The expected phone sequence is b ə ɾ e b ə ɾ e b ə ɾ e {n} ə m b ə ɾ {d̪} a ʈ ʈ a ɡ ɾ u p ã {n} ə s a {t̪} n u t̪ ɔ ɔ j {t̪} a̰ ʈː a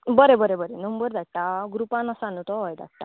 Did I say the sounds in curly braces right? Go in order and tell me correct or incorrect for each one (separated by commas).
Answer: correct, correct, correct, incorrect, incorrect